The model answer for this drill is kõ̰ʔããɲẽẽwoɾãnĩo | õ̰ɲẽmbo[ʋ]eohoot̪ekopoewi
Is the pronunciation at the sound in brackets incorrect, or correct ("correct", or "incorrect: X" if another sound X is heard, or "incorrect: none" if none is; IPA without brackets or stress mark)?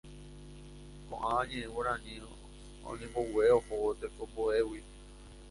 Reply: incorrect: w